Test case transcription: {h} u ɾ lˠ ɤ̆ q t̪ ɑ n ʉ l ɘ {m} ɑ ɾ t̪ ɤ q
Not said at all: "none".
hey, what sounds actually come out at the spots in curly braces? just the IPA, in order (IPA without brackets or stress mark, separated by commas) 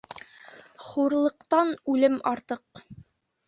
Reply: χ, m